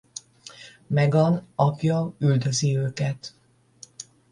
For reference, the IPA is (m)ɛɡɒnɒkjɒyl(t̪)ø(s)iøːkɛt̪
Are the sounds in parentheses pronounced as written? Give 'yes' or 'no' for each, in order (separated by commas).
yes, no, no